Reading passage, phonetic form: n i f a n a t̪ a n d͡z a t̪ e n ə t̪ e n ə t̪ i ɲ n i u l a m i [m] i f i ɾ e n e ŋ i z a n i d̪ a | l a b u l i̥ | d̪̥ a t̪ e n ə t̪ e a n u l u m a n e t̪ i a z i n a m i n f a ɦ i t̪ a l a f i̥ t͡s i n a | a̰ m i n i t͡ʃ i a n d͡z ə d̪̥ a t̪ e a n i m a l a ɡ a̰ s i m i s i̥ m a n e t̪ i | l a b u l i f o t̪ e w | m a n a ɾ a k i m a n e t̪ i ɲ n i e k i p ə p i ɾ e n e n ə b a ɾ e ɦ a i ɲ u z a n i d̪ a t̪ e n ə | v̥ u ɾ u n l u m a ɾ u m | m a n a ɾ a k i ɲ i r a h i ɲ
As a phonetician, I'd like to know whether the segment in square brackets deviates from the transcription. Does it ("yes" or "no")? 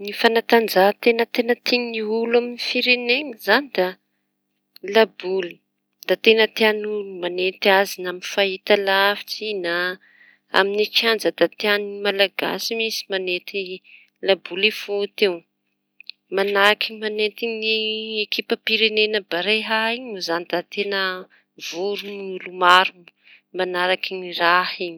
yes